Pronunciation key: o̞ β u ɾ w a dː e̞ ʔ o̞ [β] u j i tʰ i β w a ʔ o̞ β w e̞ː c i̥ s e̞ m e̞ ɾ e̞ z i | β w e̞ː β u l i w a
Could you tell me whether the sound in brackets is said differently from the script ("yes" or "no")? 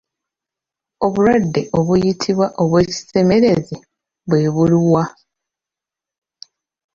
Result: no